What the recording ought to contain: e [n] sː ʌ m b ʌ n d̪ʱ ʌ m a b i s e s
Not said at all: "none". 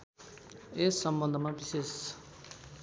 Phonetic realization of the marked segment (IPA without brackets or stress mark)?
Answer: none